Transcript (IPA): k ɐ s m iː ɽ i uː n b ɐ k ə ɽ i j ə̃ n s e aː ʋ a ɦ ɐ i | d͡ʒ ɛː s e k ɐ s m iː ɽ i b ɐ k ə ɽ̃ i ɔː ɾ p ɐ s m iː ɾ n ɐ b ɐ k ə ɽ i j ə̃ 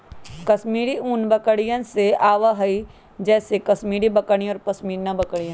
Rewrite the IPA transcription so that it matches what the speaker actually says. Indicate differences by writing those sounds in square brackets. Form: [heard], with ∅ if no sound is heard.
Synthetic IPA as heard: k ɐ s m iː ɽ i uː n b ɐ k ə ɽ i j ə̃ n s e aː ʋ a ɦ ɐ i | d͡ʒ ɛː s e k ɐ s m iː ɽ i b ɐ k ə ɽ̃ i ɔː ɾ p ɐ s m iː ɾ n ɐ b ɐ k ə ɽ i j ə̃